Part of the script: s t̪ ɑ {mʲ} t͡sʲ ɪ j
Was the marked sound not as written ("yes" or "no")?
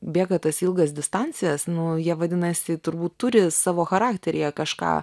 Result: yes